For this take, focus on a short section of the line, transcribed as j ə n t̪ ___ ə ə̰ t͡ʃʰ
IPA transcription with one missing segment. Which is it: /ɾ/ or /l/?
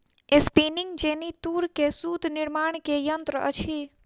ɾ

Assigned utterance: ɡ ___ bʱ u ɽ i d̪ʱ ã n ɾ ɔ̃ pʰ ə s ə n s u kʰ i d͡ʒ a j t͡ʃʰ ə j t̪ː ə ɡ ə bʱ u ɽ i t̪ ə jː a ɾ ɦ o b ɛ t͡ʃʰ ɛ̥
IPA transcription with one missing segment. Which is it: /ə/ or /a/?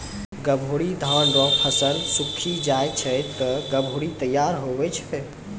ə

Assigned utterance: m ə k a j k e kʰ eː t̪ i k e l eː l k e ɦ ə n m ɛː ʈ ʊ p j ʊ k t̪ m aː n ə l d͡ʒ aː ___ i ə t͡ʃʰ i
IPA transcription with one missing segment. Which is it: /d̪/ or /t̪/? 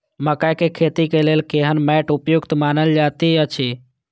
t̪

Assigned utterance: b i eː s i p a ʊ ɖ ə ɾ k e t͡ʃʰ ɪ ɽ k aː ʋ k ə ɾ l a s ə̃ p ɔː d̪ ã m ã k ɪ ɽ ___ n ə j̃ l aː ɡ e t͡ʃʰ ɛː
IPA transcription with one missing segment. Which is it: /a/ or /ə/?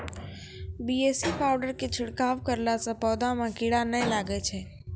a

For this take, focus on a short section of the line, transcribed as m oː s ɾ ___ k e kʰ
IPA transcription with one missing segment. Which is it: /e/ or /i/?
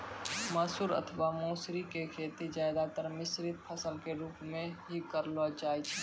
i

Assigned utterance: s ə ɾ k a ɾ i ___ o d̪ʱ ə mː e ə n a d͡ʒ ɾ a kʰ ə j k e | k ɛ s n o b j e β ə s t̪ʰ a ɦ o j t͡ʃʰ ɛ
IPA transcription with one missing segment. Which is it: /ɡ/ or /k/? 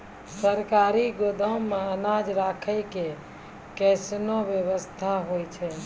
ɡ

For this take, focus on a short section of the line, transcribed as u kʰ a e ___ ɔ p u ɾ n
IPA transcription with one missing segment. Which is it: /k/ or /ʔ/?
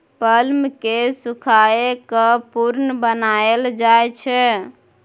k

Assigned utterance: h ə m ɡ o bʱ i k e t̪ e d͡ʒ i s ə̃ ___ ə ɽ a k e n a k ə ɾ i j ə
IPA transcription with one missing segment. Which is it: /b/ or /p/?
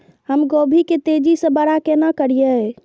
b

